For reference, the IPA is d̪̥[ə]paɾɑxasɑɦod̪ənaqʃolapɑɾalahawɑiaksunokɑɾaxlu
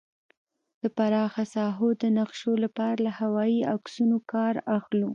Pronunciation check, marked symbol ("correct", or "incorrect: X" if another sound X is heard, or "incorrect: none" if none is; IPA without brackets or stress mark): correct